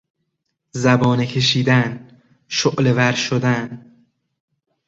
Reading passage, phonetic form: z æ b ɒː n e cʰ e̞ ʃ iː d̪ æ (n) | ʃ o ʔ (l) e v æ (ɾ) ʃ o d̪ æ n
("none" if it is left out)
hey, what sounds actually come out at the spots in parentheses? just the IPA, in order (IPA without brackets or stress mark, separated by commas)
n, l, ɾ